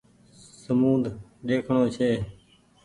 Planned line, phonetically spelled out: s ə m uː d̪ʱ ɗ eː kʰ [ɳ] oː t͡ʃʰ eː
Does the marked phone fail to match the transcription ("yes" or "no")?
no